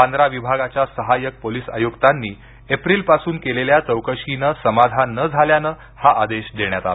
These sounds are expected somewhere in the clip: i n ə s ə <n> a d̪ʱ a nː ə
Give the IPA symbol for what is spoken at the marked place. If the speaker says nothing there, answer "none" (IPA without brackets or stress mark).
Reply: m